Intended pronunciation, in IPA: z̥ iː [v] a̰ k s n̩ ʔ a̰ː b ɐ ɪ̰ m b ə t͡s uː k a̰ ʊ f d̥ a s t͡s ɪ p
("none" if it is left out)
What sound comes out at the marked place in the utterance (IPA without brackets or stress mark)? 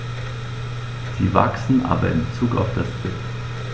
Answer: v